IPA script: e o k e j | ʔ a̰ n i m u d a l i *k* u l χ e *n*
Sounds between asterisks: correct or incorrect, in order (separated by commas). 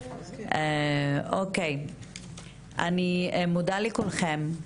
correct, incorrect